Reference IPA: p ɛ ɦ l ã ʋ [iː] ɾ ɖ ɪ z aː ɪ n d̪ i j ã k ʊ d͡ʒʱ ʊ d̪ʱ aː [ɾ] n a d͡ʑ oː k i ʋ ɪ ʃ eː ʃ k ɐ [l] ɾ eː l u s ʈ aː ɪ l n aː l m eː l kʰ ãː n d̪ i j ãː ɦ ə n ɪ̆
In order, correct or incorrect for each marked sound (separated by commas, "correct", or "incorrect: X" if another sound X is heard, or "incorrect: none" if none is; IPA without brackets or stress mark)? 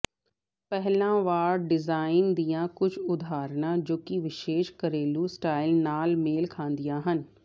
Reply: incorrect: aː, correct, incorrect: none